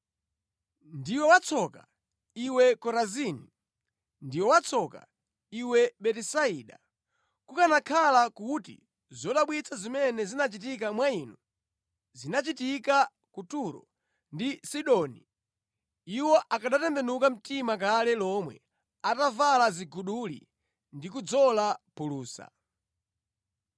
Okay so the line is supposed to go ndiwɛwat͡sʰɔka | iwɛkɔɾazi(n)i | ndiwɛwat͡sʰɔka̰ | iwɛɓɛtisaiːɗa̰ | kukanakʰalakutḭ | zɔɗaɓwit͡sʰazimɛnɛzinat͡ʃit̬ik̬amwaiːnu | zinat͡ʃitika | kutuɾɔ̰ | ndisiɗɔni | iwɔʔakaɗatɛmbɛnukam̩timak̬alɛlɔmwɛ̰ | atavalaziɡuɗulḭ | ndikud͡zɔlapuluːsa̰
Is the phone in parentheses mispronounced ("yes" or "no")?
no